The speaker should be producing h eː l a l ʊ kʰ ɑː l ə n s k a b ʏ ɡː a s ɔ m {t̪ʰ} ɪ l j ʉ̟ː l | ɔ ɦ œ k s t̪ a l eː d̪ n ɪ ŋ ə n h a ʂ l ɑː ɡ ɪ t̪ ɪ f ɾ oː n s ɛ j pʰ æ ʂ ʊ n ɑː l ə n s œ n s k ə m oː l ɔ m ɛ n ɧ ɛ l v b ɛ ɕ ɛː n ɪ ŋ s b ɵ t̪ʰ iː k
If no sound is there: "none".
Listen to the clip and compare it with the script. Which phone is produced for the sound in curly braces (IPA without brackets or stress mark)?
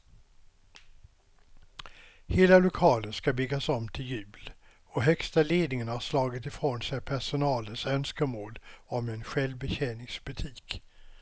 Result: t̪ʰ